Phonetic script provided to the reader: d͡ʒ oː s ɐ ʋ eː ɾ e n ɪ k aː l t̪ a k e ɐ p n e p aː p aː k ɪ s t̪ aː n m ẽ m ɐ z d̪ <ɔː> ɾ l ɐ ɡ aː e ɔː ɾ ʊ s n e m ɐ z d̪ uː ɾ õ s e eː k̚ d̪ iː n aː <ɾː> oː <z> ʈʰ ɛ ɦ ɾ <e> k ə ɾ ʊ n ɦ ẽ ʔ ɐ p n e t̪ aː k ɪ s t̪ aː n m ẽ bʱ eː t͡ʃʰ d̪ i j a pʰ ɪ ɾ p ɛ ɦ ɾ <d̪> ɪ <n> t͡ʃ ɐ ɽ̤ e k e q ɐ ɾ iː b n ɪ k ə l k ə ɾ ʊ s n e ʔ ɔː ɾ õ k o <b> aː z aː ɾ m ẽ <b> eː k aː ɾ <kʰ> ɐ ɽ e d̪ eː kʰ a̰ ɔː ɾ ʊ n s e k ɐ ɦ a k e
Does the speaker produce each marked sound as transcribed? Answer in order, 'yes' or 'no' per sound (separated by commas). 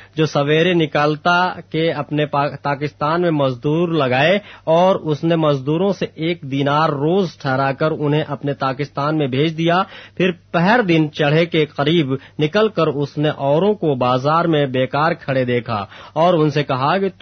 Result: no, yes, yes, no, yes, yes, yes, yes, yes